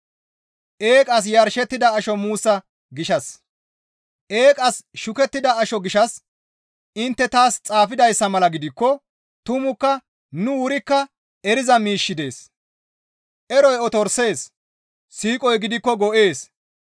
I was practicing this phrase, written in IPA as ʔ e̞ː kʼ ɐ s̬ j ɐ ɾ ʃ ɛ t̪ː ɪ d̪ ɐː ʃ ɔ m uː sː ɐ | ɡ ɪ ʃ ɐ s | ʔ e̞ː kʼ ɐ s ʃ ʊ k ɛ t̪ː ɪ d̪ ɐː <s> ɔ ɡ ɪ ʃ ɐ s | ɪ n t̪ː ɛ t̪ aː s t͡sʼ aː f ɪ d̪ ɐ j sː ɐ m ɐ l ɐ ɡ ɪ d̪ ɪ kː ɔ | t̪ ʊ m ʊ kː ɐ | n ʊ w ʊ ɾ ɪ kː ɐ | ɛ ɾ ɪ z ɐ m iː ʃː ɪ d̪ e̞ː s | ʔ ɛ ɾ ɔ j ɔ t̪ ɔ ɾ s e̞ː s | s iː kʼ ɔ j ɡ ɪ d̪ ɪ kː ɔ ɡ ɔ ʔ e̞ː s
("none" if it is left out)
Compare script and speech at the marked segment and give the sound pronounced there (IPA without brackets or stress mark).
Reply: ʃ